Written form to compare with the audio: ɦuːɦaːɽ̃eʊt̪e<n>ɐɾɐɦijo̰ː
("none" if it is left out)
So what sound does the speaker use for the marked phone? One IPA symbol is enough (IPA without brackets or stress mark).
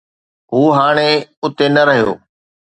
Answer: n